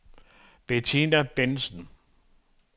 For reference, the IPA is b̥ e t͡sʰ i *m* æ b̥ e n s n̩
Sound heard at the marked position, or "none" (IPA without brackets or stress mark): n